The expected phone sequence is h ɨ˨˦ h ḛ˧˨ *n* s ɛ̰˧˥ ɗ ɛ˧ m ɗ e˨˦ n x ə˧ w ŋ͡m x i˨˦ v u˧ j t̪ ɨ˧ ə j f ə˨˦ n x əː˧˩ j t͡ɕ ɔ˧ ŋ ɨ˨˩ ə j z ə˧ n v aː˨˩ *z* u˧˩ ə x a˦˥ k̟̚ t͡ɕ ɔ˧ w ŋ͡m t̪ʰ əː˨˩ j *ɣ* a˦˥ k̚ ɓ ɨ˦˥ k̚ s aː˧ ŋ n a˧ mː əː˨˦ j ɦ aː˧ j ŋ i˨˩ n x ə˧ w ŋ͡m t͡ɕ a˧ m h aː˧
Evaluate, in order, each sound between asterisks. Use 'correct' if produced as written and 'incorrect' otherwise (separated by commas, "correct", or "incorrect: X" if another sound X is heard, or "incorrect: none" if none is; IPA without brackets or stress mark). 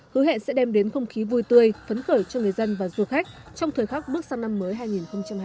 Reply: correct, correct, incorrect: x